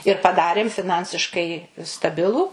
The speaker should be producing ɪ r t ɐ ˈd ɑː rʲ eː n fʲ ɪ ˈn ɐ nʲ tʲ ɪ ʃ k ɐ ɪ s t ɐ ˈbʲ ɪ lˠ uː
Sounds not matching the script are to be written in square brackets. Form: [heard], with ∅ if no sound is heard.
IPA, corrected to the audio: ɪ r [p] ɐ ˈd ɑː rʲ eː [m] fʲ ɪ ˈn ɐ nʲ [sʲ] ɪ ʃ k ɐ ɪ s t ɐ ˈbʲ ɪ lˠ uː

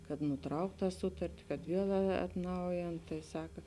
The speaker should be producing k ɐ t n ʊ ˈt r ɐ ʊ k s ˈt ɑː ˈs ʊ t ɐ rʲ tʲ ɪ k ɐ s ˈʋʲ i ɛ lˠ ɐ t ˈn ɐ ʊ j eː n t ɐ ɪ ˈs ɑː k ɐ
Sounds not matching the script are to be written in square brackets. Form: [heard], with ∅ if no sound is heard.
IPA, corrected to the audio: k ɐ t n ʊ ˈt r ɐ ʊ k [t] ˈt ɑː ˈs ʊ t ɐ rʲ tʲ ɪ k ɐ [t] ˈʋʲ i ɛ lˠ ɐ t ˈn ɐ ʊ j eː n t ɐ ɪ ˈs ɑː k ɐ

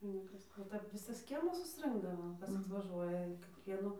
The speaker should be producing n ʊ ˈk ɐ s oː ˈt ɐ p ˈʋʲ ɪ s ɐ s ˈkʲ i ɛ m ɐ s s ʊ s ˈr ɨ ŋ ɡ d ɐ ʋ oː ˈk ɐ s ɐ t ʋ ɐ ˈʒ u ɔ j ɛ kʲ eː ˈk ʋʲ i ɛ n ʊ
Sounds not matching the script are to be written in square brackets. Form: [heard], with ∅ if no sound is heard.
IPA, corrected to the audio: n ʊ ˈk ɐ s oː ˈt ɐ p ˈʋʲ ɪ s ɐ s ˈkʲ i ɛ m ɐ s s ʊ s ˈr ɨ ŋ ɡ d ɐ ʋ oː ˈk ɐ s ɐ t ʋ ɐ ˈʒ u ɔ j ɛ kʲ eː ˈk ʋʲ i ɛ n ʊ

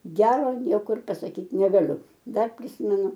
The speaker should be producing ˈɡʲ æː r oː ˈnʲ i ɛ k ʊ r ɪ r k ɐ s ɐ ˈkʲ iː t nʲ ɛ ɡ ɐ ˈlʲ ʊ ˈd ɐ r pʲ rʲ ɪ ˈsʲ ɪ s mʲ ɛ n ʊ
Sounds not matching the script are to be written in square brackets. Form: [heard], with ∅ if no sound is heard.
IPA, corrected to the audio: ˈɡʲ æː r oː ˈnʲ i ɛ k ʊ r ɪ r [p] ɐ s ɐ ˈkʲ iː t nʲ ɛ ɡ ɐ ˈlʲ ʊ ˈd ɐ r pʲ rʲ ɪ ˈsʲ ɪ [∅] mʲ ɛ n ʊ

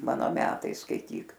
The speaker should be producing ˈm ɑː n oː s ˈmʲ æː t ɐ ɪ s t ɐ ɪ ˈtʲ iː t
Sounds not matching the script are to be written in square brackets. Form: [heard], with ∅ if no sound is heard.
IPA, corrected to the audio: ˈm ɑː n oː [∅] ˈmʲ æː t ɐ ɪ s [k] ɐ ɪ ˈtʲ iː [k]

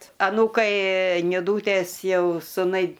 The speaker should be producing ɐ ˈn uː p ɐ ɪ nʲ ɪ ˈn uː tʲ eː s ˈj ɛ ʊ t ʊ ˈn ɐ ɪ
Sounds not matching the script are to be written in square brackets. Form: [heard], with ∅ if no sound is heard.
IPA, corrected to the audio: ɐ ˈn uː [k] ɐ ɪ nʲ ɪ [ˈd] uː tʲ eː s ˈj ɛ ʊ [s] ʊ ˈn ɐ ɪ

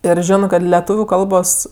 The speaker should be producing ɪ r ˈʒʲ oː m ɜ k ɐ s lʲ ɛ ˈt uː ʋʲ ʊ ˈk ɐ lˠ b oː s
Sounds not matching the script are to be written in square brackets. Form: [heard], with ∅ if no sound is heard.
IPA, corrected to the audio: ɪ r ˈʒʲ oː [n] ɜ k ɐ [t] lʲ ɛ ˈt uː ʋʲ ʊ ˈk ɐ lˠ b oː s

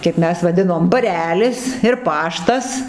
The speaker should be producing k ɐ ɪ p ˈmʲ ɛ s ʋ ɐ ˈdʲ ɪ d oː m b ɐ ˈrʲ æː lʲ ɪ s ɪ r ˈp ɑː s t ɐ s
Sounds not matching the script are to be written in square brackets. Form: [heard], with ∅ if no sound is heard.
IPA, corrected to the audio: k ɐ ɪ p ˈmʲ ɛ s ʋ ɐ ˈdʲ ɪ [n] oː m b ɐ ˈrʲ æː lʲ ɪ s ɪ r ˈp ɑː [ʃ] t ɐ s

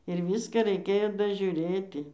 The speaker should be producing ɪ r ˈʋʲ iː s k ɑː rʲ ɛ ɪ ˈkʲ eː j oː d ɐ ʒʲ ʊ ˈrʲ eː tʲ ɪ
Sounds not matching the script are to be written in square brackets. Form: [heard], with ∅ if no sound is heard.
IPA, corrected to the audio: ɪ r ˈʋʲ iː s k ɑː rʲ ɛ ɪ ˈkʲ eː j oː d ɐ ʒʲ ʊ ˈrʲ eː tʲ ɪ

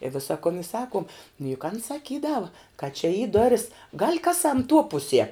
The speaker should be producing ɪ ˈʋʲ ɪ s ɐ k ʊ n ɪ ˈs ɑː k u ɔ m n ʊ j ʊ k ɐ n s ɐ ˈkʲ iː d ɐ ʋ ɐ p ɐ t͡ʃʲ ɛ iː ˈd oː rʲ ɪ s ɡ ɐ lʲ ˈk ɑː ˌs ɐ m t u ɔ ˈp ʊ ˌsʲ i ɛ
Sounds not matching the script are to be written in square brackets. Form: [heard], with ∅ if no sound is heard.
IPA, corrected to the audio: ɪ ˈʋʲ ɪ s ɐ k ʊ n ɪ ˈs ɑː k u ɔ m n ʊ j ʊ k ɐ n s ɐ ˈkʲ iː d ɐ ʋ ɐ [k] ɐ t͡ʃʲ ɛ iː ˈd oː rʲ ɪ s ɡ ɐ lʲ ˈk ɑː ˌs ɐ m t u ɔ ˈp ʊ ˌsʲ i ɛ

